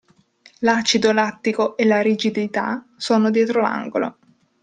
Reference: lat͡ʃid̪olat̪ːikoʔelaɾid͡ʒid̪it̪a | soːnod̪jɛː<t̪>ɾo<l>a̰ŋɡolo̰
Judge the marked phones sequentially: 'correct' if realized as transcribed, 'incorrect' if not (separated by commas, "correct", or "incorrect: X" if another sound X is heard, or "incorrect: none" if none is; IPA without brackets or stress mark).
correct, correct